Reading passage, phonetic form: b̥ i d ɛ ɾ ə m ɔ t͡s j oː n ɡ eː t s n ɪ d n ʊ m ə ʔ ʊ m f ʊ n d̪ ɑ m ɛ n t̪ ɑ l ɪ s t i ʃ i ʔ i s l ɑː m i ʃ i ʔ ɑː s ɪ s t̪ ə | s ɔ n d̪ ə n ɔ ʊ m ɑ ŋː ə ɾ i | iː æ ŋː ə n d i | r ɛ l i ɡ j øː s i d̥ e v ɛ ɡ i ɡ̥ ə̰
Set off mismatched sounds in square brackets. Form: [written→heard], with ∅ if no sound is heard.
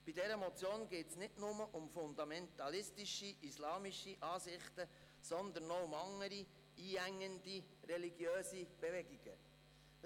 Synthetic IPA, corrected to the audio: b̥ i d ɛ ɾ ə m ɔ t͡s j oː n ɡ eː t s n ɪ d n ʊ m ə ʔ ʊ m f ʊ n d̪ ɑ m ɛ n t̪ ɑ l ɪ s t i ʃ i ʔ i s l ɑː m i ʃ i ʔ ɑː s ɪ [s→χ] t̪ ə | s ɔ n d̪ ə n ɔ ʊ m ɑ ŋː ə ɾ i | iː æ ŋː ə n d i | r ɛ l i ɡ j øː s i [d̥→b̥] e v ɛ ɡ i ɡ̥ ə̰